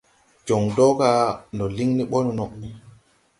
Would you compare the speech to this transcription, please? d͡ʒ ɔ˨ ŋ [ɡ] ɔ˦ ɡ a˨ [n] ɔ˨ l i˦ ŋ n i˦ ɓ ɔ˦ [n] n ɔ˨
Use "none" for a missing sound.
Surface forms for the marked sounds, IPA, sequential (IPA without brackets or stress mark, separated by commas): d, n, n